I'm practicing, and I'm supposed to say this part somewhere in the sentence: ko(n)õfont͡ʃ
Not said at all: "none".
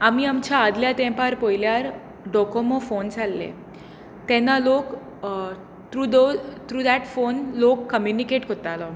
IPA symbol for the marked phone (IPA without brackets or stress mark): m